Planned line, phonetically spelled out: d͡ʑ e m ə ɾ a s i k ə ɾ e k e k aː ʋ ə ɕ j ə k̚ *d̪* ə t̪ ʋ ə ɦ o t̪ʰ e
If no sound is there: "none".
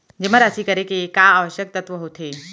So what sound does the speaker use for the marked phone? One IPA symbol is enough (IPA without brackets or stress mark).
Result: t̪